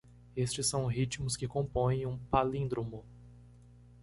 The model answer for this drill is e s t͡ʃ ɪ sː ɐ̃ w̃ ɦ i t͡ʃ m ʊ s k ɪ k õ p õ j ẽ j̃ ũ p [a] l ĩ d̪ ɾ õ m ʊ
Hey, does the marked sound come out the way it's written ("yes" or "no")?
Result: yes